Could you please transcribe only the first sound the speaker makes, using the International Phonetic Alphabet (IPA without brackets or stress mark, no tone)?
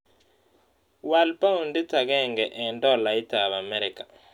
w